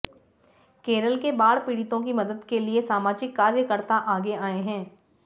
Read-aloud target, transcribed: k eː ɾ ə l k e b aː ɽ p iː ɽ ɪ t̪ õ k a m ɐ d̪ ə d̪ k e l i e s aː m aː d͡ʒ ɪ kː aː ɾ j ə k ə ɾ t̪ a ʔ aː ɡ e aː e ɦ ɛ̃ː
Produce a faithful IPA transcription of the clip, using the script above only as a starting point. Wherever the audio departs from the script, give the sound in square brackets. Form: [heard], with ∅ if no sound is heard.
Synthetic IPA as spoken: k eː ɾ ə l k e b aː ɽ p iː ɽ ɪ t̪ õ k [i] m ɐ d̪ ə d̪ k e l i e s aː m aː d͡ʒ ɪ kː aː ɾ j ə k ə ɾ t̪ a ʔ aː ɡ e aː e ɦ ɛ̃ː